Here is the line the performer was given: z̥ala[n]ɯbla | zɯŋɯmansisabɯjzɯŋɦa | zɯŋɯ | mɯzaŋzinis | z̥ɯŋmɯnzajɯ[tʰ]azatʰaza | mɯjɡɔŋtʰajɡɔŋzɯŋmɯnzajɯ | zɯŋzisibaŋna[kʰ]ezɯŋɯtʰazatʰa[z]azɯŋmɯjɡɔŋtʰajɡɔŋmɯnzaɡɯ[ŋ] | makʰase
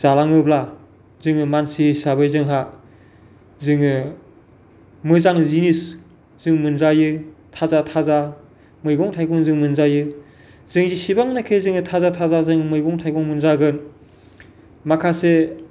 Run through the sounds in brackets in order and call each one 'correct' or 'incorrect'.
incorrect: ŋ, correct, correct, correct, incorrect: n

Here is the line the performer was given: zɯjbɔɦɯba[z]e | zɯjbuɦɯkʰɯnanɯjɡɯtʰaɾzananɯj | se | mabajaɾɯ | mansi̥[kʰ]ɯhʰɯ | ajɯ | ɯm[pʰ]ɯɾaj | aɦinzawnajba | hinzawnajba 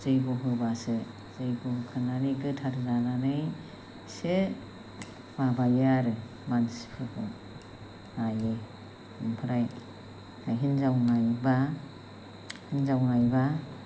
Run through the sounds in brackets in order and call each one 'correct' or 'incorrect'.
incorrect: s, incorrect: pʰ, correct

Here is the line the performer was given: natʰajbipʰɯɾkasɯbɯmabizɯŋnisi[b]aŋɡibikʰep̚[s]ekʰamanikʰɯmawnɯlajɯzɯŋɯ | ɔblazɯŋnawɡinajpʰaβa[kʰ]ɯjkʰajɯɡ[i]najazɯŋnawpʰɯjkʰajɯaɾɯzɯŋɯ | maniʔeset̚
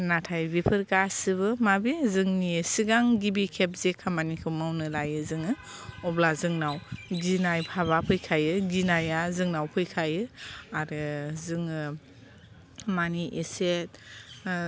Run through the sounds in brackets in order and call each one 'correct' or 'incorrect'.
incorrect: ɡ, incorrect: z, incorrect: pʰ, correct

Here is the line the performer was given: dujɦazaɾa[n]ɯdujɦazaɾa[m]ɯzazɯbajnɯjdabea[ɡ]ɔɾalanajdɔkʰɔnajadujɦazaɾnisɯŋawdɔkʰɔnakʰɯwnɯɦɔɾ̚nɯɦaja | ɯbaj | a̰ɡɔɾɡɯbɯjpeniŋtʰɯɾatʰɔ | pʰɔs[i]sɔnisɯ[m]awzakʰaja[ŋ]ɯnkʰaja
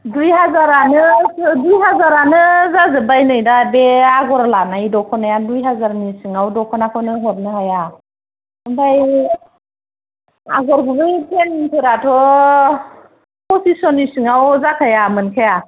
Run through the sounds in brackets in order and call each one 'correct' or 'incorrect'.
correct, incorrect: n, correct, correct, incorrect: ŋ, incorrect: m

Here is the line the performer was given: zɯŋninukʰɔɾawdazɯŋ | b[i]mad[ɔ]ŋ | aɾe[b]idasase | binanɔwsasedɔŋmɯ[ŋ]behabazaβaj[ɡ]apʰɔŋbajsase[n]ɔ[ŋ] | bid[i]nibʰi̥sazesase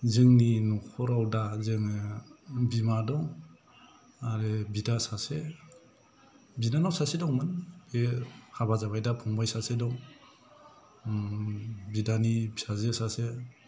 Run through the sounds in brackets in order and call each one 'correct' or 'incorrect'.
correct, correct, correct, incorrect: n, incorrect: d, incorrect: d, correct, incorrect: a

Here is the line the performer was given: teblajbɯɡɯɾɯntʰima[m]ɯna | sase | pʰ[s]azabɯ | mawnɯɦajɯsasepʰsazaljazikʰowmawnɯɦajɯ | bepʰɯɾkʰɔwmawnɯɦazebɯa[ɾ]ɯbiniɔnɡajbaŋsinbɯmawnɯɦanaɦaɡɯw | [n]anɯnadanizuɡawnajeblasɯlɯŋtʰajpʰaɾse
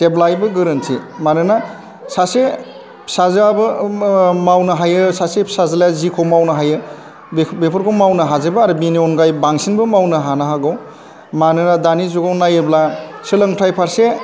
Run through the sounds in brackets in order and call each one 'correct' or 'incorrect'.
incorrect: n, correct, correct, incorrect: m

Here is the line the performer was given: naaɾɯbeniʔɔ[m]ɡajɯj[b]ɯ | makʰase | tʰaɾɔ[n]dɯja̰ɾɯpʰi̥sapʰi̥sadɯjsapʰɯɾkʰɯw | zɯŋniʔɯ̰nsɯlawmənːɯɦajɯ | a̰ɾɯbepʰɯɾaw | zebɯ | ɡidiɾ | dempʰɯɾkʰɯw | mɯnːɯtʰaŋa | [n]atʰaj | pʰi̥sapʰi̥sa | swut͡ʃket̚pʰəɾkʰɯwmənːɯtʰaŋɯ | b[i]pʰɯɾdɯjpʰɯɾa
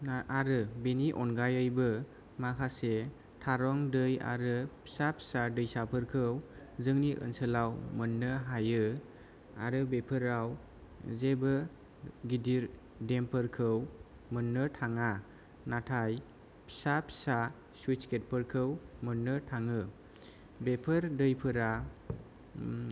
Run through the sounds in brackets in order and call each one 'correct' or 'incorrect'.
incorrect: n, correct, incorrect: ŋ, correct, incorrect: e

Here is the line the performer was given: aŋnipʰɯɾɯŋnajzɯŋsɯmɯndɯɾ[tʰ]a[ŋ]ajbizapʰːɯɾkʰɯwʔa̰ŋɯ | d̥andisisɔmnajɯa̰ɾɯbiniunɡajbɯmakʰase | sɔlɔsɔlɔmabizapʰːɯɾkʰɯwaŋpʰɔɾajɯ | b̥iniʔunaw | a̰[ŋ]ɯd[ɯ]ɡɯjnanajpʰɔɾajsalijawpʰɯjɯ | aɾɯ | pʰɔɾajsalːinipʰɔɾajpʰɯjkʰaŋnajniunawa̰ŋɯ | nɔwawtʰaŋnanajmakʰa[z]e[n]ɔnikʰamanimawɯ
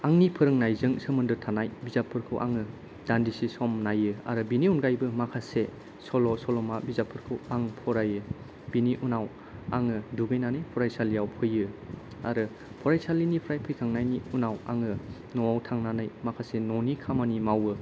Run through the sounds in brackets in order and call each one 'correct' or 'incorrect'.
correct, incorrect: n, correct, incorrect: u, incorrect: s, correct

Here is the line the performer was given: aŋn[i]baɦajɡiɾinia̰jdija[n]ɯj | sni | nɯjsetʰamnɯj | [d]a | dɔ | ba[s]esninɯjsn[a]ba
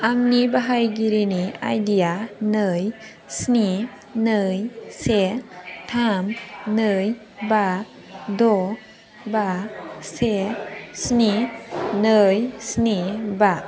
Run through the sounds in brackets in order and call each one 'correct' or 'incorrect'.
correct, correct, incorrect: b, correct, incorrect: i

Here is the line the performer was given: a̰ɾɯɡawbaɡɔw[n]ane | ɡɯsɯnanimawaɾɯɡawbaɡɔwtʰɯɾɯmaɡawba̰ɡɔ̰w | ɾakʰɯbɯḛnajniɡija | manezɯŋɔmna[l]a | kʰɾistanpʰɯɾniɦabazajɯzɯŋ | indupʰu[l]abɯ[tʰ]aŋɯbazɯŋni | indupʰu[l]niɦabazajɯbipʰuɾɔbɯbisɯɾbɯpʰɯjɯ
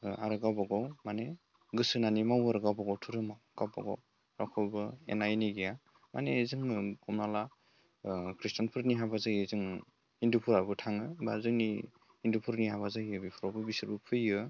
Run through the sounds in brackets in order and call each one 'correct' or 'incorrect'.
incorrect: m, correct, incorrect: ɾ, correct, incorrect: ɾ

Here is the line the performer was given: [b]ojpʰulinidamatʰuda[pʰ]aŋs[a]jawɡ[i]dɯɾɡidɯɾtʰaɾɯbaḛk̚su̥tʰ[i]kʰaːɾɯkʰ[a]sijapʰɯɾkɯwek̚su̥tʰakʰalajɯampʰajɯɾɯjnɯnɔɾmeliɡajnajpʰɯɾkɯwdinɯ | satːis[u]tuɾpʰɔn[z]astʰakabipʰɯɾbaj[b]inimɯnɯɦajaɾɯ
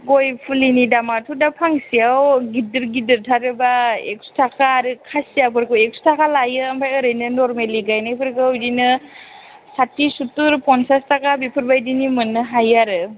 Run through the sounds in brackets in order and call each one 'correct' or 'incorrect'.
incorrect: ɡ, correct, incorrect: i, correct, incorrect: a, correct, correct, incorrect: s, incorrect: d

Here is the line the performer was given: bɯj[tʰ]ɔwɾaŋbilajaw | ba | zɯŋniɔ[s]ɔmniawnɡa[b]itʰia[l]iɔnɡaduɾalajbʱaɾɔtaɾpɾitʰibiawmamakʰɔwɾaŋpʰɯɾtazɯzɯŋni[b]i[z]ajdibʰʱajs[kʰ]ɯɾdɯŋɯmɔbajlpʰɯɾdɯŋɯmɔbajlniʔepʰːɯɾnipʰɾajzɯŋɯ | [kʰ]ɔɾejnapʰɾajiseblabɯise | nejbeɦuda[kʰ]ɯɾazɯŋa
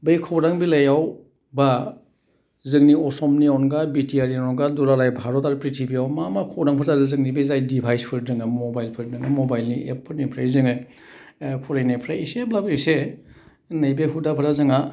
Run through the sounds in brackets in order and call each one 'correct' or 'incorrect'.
incorrect: kʰ, correct, correct, incorrect: ɾ, correct, correct, incorrect: pʰ, incorrect: pʰ, incorrect: pʰ

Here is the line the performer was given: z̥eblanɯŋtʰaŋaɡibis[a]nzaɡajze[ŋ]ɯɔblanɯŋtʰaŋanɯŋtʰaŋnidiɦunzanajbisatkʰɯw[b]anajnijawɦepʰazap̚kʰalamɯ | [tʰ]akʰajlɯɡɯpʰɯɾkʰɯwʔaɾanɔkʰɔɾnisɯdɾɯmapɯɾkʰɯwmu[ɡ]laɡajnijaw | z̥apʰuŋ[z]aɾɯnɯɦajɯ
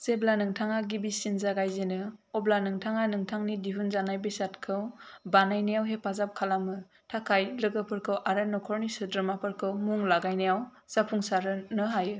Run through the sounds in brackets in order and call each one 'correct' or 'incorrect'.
incorrect: i, incorrect: n, correct, correct, incorrect: ŋ, incorrect: s

